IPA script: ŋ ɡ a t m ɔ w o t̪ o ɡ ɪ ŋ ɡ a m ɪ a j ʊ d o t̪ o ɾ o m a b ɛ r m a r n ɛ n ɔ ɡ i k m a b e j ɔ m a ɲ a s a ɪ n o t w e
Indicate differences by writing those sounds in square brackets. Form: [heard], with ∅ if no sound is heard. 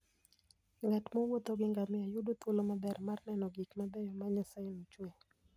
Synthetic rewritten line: ŋ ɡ a t m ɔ w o t̪ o ɡ ɪ ŋ ɡ a m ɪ a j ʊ d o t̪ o [l] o m a b ɛ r m a r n ɛ n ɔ ɡ i k m a b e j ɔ m a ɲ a s a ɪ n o [t͡ʃ] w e